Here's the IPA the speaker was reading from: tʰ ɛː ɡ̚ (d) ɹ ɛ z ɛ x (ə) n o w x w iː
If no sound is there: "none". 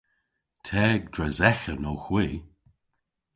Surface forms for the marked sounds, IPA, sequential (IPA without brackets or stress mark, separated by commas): d, ə